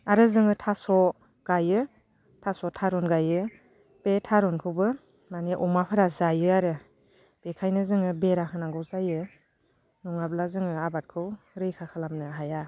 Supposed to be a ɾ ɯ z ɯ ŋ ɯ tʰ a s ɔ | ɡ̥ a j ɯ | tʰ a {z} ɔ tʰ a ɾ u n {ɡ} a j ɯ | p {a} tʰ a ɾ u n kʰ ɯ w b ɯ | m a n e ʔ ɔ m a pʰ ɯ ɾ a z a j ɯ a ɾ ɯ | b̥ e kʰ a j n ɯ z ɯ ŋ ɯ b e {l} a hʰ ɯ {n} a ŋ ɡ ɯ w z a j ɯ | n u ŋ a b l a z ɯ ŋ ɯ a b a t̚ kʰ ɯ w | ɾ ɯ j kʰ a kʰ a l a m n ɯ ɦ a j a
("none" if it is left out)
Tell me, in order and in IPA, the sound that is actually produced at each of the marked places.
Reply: s, ɡ, e, ɾ, n

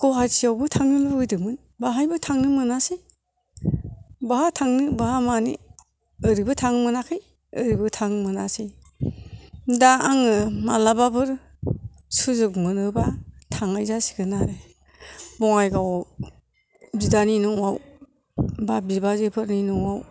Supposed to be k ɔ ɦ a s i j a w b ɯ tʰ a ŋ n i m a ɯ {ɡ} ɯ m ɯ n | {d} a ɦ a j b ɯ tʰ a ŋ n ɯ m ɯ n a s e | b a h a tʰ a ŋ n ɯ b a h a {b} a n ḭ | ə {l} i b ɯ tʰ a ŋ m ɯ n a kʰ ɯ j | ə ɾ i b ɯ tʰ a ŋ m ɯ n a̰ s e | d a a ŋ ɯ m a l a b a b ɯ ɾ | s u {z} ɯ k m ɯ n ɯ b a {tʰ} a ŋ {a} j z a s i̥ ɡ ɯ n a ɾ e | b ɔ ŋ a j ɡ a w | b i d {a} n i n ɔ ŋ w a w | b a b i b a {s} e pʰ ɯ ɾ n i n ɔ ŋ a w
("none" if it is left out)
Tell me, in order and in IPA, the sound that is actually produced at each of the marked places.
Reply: d, b, m, ɾ, z, tʰ, a, a, z

